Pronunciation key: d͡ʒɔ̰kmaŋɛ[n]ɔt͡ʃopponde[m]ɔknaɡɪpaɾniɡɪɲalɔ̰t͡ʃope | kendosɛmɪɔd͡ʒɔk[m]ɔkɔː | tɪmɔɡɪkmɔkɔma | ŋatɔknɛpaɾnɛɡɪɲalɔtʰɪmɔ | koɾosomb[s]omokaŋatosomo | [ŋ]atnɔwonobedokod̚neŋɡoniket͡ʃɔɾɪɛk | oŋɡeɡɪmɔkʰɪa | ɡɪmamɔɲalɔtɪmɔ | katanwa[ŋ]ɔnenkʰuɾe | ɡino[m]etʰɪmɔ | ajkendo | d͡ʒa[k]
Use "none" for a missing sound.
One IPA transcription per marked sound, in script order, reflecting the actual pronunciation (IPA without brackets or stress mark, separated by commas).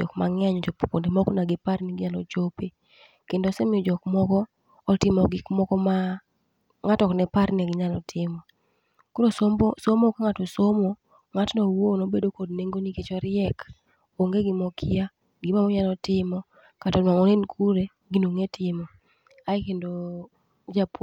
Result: ɲ, m, m, s, ŋ, ŋ, ŋ, p